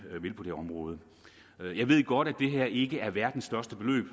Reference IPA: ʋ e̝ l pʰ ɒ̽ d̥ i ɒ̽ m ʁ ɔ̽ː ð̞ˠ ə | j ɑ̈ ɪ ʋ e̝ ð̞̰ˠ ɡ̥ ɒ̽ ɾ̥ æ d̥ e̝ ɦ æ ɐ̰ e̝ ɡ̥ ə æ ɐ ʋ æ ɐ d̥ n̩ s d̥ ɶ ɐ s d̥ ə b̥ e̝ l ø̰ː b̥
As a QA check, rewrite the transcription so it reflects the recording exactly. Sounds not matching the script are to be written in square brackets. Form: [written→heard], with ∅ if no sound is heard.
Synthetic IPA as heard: ʋ e̝ l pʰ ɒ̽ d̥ [i→e] ɒ̽ m ʁ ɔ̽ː ð̞ˠ ə | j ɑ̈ ɪ ʋ e̝ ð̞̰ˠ ɡ̥ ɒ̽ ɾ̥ æ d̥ e̝ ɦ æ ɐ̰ e̝ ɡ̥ ə æ ɐ ʋ æ ɐ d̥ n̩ s d̥ ɶ ɐ s d̥ ə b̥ e̝ l ø̰ː b̥